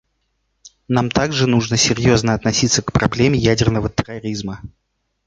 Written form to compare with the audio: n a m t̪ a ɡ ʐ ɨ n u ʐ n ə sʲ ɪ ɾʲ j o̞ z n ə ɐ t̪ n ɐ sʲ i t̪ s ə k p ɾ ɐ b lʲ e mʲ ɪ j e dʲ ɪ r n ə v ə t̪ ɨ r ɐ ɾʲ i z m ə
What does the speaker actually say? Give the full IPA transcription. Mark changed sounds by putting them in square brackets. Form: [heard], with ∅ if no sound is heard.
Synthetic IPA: n a m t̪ a ɡ ʐ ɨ n u ʐ n ə sʲ ɪ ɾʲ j o̞ z n ə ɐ t̪ n ɐ sʲ i t̪ s ə k p ɾ ɐ b lʲ e mʲ ɪ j [æ] dʲ ɪ r n ə v ə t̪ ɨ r ɐ ɾʲ i z m ə